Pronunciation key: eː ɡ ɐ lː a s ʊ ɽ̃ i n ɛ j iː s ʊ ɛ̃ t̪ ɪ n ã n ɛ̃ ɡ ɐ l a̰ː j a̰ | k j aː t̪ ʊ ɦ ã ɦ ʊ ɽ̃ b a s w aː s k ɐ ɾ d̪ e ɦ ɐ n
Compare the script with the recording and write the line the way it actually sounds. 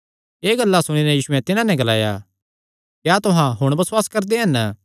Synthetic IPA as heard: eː ɡ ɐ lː a s ʊ ɽ̃ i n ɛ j iː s ʊ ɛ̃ t̪ ɪ n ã n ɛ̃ ɡ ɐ l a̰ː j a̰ | k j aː t̪ ʊ ɦ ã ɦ ʊ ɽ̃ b ɐ s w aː s k ɐ ɾ d̪ e ɦ ɐ n